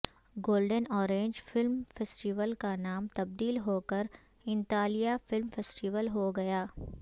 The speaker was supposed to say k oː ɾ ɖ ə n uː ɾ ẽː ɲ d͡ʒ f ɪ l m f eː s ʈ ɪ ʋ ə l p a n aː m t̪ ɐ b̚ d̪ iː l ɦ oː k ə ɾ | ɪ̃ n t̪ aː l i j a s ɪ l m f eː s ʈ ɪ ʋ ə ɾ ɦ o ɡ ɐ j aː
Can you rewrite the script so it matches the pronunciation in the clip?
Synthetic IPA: ɡ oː l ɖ ə n ɔː ɾ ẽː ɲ d͡ʒ f ɪ l m f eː s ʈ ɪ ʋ ə l k a n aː m t̪ ɐ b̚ d̪ iː l ɦ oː k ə ɾ | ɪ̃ n t̪ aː l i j a f ɪ l m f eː s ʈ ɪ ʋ ə l ɦ o ɡ ɐ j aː